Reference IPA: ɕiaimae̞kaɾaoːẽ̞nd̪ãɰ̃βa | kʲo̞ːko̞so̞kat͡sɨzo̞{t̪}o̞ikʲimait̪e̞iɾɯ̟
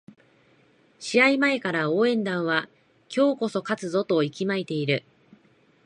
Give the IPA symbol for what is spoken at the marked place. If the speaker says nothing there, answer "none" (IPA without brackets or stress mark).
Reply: t̪